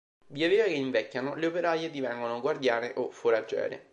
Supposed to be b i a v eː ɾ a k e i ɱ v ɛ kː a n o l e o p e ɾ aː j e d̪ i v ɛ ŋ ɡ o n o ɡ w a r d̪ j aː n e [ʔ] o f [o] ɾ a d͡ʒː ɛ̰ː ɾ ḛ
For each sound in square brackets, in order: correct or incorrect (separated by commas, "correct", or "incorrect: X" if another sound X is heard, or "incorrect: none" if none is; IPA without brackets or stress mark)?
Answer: correct, correct